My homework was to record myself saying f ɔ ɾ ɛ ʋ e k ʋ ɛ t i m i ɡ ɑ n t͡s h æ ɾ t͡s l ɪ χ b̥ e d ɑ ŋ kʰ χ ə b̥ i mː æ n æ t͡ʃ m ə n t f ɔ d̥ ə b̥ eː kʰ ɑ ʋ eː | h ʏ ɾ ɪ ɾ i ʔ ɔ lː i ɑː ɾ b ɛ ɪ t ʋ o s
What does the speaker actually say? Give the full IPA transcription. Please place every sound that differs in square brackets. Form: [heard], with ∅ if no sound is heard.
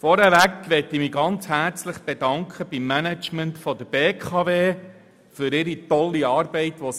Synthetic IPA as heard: f ɔ ɾ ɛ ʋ [æ] k ʋ ɛ t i m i ɡ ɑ n t͡s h æ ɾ t͡s l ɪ χ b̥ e d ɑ ŋ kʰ χ ə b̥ i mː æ n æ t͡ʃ m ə n t f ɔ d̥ ə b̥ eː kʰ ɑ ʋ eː | [f] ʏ ɾ ɪ ɾ i [t] ɔ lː i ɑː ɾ b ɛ ɪ t ʋ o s